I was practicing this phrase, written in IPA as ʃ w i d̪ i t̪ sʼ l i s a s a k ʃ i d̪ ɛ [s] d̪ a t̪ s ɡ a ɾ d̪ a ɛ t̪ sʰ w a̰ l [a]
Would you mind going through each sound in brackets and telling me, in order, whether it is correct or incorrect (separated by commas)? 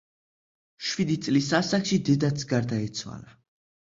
incorrect, correct